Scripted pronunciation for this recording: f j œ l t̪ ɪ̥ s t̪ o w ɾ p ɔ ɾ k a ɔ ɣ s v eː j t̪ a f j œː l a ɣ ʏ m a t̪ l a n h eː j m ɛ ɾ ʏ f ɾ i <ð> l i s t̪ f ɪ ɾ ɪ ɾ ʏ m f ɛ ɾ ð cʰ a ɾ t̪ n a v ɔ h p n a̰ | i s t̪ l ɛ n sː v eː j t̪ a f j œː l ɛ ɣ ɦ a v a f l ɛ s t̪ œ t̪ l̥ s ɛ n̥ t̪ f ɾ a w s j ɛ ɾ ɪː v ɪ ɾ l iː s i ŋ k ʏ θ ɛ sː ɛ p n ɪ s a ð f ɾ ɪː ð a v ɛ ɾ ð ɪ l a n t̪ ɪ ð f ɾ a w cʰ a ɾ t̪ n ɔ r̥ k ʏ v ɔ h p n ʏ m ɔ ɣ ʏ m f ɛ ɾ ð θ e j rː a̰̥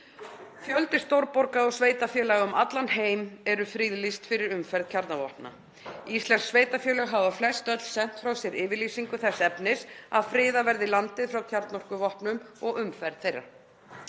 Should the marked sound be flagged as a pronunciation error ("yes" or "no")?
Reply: no